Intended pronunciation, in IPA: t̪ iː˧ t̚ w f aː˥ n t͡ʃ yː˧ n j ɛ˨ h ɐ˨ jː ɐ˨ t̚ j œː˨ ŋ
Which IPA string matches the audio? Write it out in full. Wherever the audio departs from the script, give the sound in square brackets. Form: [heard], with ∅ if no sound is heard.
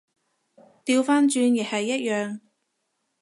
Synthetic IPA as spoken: t̪ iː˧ [∅] w f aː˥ n t͡ʃ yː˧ n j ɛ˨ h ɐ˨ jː [ɐ˥] t̚ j œː˨ ŋ